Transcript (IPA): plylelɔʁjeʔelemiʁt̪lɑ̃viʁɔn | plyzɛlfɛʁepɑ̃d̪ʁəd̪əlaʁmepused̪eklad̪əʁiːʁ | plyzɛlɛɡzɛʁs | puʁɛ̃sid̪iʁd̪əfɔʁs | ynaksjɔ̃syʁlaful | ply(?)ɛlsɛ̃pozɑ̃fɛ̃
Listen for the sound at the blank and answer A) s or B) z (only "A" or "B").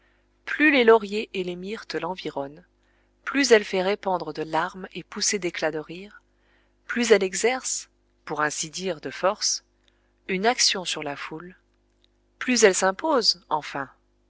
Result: B